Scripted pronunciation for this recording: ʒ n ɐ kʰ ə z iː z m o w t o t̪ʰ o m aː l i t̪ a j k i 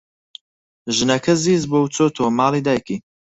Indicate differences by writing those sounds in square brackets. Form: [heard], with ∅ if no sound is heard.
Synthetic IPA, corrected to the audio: ʒ n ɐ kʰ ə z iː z [b] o w [t͡s] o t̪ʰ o m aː l i [d̪] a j k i

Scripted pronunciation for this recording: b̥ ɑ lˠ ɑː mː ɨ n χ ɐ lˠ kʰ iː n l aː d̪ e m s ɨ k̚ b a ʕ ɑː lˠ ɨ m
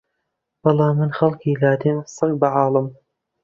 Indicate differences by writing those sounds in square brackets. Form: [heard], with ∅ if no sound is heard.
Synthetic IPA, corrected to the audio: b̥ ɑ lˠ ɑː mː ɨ n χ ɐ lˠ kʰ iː [∅] l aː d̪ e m s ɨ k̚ b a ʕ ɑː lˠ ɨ m

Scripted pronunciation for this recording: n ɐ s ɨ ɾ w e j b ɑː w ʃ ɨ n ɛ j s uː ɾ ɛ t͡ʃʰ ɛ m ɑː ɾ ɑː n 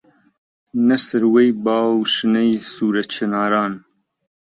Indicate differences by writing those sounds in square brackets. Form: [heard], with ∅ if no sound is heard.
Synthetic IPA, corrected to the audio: n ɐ s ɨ ɾ w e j b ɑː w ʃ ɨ n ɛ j s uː ɾ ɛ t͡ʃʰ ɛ [n] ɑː ɾ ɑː n

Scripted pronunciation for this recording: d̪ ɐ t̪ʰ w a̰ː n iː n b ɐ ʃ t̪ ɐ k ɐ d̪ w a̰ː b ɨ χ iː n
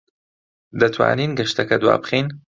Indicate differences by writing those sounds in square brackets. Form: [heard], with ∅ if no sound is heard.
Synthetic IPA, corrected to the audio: d̪ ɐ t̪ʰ w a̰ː n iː n [ɡ] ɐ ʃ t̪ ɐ k ɐ d̪ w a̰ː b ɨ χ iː n

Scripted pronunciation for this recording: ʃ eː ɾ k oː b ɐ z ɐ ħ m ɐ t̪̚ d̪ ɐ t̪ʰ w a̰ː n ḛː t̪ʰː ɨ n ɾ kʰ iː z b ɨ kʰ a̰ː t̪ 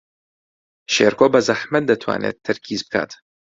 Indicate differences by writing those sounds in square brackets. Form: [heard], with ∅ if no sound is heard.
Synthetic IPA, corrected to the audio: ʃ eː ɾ k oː b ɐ z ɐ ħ m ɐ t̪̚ d̪ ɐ t̪ʰ w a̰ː n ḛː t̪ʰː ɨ [∅] ɾ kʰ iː z b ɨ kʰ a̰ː t̪

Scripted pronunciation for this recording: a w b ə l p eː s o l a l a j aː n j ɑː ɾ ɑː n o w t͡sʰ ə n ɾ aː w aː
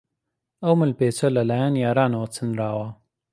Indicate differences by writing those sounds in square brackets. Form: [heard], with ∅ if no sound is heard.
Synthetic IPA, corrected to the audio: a w [m] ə l p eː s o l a l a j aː n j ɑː ɾ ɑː n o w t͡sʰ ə n ɾ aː w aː

